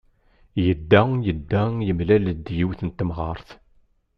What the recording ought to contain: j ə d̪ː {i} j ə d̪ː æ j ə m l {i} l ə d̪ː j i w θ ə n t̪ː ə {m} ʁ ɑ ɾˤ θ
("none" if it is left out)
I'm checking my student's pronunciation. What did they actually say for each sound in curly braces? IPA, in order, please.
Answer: æ, æ, m

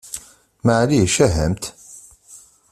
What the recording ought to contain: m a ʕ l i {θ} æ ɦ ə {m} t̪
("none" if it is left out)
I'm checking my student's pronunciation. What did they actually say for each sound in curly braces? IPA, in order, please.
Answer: ʃ, m

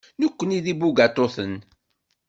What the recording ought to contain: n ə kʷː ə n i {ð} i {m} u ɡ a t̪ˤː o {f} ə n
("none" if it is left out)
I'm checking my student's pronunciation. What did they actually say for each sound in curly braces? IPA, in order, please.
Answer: ð, b, θ

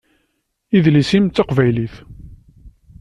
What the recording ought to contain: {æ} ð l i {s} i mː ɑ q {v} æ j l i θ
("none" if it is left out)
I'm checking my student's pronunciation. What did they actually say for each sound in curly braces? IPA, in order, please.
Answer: i, s, v

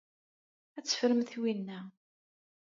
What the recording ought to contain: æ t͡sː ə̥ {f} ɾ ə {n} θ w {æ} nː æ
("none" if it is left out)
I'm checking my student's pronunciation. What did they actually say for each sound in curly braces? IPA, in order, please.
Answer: f, m, i

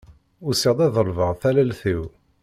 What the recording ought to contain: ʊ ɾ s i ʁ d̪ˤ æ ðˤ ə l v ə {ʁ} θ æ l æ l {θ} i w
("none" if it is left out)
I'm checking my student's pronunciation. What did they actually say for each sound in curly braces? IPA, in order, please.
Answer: ʁ, θ

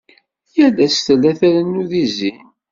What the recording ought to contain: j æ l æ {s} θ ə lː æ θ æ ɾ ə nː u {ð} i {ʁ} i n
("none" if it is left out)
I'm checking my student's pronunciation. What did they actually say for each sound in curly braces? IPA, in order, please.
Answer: s, ð, z

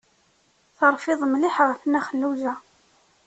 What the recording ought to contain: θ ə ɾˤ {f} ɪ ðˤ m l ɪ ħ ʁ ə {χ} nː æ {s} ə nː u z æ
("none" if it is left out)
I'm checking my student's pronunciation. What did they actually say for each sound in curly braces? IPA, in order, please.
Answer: f, f, χ

